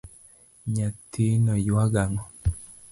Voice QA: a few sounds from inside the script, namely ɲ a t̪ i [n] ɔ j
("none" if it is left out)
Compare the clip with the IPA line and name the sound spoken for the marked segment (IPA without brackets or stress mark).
n